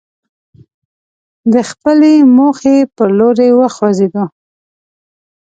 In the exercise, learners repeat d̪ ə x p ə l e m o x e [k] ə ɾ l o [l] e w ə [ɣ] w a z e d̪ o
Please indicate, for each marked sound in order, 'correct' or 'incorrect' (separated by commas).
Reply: incorrect, incorrect, incorrect